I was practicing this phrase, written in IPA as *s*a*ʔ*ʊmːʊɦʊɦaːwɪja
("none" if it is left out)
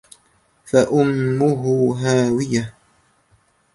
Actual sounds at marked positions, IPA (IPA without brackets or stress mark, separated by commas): f, ʔ